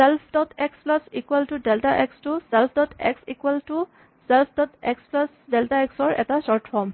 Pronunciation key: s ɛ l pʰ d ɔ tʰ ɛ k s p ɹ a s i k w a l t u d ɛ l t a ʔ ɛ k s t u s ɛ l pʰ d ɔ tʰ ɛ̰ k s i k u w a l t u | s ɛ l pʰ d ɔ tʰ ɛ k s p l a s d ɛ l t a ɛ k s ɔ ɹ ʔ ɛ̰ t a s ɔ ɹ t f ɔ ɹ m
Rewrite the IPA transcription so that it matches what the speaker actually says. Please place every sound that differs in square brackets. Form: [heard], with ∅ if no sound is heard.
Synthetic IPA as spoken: s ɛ l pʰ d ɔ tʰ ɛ k s p [l] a s i k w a l t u d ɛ l t a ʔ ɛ k s t u s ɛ l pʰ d ɔ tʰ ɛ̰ k s i k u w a l t u | s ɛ l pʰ d ɔ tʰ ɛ k s p l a s d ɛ l t a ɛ k s ɔ ɹ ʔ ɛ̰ t a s ɔ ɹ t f ɔ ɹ m